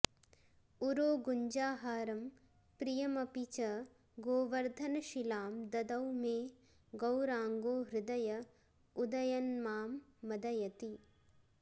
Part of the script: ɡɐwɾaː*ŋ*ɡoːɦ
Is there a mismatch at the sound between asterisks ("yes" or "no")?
no